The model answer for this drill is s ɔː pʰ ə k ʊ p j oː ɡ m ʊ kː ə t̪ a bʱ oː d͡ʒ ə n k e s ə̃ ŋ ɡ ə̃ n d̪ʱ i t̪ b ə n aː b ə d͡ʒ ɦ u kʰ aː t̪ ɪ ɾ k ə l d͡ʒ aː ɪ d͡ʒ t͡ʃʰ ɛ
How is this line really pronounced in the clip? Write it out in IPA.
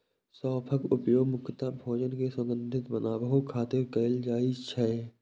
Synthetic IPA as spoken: s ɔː pʰ ə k ʊ p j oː ɡ m ʊ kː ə t̪ a bʱ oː d͡ʒ ə n k e s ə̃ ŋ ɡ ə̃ n d̪ʱ ɪ t̪ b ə n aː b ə ɦ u kʰ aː t̪ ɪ ɾ k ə l d͡ʒ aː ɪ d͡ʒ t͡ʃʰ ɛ